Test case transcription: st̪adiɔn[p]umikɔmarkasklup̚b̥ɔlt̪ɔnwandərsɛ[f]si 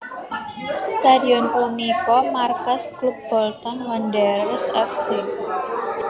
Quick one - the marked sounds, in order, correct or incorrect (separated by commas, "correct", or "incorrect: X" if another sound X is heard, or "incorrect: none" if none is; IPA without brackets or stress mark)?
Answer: correct, correct